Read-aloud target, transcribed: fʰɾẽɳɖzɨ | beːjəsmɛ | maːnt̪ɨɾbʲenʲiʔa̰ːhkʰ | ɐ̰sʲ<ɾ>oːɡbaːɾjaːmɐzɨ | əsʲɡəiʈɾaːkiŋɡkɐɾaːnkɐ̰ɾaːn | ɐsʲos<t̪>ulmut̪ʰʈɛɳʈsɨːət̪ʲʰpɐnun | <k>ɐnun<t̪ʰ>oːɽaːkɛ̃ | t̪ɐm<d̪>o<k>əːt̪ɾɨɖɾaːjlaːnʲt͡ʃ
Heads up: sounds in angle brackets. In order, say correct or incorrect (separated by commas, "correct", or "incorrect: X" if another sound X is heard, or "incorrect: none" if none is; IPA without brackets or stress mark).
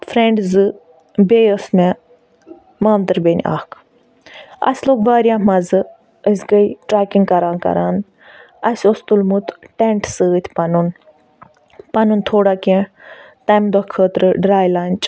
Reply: incorrect: l, correct, incorrect: p, correct, correct, incorrect: kʰ